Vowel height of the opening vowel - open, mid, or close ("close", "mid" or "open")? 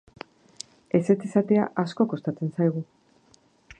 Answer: mid